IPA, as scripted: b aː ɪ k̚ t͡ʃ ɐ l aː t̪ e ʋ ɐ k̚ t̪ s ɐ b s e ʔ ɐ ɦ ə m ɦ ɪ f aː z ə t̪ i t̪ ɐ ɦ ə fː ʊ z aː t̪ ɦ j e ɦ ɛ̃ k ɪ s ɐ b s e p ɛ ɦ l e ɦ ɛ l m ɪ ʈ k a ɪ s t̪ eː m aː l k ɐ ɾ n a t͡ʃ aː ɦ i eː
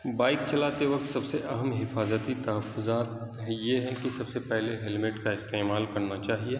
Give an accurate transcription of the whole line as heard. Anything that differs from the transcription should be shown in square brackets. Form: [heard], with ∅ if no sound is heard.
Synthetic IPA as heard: b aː ɪ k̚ t͡ʃ ɐ l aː t̪ e ʋ ɐ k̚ t̪ s ɐ b s e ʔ ɐ ɦ ə m ɦ ɪ f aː z ə t̪ i t̪ ɐ ɦ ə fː ʊ z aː t̪ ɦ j e ɦ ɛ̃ k [i] s ɐ b s e p ɛ ɦ l e ɦ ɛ l m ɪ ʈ k a ɪ s t̪ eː m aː l k ɐ ɾ n a t͡ʃ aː ɦ i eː